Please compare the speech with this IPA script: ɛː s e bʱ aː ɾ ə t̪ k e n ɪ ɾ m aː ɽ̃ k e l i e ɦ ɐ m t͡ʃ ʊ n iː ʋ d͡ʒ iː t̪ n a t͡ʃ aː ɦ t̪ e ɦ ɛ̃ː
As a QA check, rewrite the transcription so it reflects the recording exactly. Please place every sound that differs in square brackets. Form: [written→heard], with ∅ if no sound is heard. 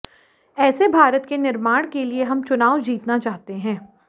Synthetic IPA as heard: ɛː s e bʱ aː ɾ ə t̪ k e n ɪ ɾ m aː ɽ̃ k e l i e ɦ ɐ m t͡ʃ ʊ n [iː→aː] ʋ d͡ʒ iː t̪ n a t͡ʃ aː ɦ t̪ e ɦ ɛ̃ː